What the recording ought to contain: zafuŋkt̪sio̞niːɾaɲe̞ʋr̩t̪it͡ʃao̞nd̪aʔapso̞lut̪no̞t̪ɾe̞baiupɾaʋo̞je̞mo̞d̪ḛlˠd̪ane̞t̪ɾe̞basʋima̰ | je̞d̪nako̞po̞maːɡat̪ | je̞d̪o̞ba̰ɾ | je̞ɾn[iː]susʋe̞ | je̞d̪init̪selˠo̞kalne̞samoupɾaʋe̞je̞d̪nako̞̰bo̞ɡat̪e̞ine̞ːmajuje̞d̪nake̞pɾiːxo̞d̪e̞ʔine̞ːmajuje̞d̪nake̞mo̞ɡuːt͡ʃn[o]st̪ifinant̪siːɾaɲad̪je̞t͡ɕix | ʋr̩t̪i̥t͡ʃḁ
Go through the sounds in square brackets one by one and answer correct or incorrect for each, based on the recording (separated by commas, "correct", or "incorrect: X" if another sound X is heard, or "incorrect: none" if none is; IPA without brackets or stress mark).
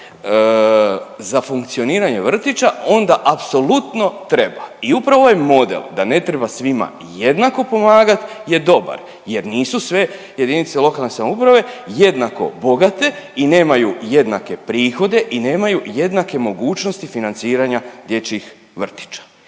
correct, correct